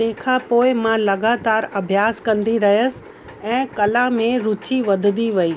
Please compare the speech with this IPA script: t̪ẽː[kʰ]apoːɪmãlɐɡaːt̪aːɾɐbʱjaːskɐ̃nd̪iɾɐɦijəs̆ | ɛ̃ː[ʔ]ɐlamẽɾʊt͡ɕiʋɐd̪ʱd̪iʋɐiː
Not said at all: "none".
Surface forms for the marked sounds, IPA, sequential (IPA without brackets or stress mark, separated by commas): kʰ, k